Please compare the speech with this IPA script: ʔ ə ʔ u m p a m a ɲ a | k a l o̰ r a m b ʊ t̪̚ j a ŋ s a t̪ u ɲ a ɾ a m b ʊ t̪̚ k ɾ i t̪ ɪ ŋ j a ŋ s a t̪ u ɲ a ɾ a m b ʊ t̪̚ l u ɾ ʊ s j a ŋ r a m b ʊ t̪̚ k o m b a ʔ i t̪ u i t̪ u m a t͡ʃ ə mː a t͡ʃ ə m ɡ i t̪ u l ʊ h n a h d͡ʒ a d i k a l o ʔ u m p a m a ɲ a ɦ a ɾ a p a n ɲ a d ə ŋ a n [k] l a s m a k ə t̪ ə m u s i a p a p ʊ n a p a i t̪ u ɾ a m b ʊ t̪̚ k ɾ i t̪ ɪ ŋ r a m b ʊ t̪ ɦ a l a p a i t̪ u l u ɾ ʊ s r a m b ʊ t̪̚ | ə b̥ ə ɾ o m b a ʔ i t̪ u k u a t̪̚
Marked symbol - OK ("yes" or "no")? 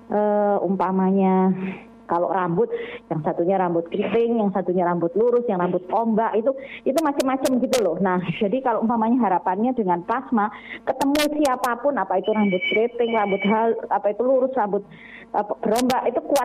no